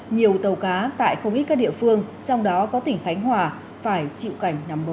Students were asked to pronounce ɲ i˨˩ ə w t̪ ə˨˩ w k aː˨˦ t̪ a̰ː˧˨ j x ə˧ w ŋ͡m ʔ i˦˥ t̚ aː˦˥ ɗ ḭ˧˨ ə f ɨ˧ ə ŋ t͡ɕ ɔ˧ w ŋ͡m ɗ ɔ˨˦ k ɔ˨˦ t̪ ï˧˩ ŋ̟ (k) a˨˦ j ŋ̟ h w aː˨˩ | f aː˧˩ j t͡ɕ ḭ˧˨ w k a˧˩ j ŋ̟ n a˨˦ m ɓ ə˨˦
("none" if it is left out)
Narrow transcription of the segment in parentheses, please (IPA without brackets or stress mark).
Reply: x